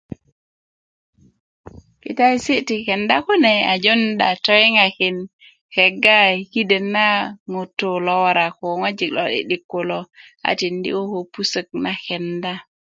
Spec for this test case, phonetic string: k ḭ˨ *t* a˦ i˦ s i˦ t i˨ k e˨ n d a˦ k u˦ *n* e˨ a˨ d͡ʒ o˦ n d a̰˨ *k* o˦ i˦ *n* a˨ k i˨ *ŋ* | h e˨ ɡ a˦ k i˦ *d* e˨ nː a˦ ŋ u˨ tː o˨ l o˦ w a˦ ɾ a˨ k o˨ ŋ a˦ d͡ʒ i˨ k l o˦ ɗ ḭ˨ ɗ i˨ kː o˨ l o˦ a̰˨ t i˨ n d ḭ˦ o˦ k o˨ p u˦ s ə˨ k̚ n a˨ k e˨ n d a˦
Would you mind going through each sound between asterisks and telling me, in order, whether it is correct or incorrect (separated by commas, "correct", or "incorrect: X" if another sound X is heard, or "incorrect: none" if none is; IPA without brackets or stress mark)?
correct, correct, incorrect: t, incorrect: ŋ, incorrect: n, correct